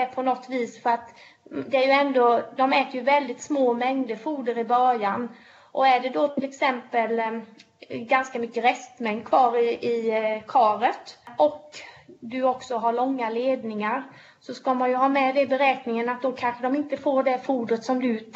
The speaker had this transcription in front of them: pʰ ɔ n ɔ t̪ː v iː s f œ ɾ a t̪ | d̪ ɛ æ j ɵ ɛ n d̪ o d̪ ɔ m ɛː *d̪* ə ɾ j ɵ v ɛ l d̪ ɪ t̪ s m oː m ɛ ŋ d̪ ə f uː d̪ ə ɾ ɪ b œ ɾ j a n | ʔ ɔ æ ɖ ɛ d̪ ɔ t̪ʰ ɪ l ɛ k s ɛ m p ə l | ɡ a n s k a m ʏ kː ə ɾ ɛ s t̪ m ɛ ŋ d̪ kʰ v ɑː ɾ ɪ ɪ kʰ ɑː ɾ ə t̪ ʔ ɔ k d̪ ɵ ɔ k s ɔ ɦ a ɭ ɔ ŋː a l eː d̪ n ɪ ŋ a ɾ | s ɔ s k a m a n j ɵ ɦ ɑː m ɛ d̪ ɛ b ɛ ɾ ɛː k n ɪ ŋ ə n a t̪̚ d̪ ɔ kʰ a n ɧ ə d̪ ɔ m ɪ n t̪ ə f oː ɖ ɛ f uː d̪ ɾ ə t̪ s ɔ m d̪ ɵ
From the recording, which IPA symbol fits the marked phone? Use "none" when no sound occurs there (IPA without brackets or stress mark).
t̪